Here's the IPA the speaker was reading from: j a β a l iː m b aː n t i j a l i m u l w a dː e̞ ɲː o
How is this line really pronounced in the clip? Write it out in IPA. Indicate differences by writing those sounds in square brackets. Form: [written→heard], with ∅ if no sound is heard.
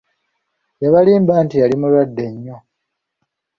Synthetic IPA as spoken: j a β a l iː m b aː n t i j a l i m u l w a dː e̞ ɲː o